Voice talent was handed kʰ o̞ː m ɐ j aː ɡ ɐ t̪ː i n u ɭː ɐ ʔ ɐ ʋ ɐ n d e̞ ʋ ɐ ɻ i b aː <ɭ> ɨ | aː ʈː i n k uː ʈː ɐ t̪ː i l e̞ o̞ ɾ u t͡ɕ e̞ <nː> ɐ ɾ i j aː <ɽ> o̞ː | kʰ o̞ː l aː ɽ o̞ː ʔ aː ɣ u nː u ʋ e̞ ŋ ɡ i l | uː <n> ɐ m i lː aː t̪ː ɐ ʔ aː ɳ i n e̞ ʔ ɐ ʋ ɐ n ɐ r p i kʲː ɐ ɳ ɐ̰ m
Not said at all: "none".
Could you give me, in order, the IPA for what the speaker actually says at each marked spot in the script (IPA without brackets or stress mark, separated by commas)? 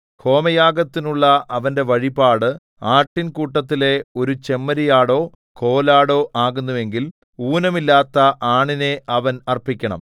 ɽ, mː, ɽ, n